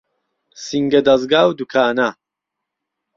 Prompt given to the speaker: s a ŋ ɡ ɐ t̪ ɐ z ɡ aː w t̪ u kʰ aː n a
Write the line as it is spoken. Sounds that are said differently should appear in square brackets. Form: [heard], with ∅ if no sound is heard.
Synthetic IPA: s [i] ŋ ɡ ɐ [d̪] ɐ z ɡ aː w [d̪] u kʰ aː n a